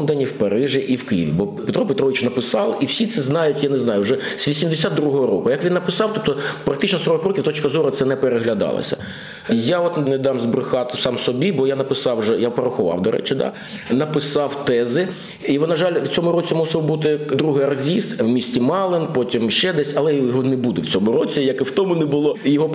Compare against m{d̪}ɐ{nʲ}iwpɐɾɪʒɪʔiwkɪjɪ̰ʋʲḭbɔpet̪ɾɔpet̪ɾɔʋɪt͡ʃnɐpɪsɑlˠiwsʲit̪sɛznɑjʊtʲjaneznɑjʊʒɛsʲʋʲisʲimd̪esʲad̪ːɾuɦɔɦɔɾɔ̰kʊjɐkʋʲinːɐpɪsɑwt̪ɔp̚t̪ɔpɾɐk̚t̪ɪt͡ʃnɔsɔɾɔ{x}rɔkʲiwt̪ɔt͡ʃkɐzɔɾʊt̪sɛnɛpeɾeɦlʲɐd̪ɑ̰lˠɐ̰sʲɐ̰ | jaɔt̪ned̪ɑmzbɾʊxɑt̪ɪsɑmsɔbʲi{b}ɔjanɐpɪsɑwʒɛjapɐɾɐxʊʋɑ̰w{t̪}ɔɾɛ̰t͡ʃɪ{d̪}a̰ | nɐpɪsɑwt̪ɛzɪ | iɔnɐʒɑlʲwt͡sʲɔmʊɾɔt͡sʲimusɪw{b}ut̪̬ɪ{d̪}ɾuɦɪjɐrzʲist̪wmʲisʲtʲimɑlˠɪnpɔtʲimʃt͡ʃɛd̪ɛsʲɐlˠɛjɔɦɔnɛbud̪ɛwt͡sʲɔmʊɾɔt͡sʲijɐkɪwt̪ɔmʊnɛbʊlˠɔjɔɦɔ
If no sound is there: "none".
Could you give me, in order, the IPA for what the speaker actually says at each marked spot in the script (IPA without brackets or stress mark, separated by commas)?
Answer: d̪, nʲ, k, b, d̪, d̪, b, d̪